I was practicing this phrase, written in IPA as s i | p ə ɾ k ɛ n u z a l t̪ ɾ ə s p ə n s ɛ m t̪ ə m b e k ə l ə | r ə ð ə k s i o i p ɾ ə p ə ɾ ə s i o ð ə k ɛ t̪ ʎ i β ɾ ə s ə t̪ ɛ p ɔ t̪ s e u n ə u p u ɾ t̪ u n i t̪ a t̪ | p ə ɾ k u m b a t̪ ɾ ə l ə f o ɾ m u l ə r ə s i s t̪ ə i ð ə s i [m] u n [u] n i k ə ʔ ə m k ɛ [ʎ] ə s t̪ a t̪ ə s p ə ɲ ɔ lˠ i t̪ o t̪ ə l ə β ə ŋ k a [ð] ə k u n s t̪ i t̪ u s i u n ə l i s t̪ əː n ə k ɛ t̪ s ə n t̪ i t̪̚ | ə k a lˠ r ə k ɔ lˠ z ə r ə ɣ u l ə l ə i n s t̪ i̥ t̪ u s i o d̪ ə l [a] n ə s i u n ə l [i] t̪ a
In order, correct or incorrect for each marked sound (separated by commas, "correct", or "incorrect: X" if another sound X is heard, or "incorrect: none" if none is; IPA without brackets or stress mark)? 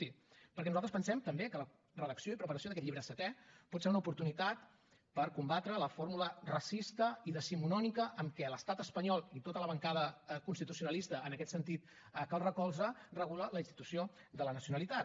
correct, incorrect: ɔ, incorrect: l, correct, incorrect: ə, correct